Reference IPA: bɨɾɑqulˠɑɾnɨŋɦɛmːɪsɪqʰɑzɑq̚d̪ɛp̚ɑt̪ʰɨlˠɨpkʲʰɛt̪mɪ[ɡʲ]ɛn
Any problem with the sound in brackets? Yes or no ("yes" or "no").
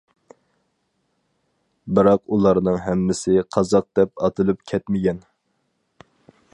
no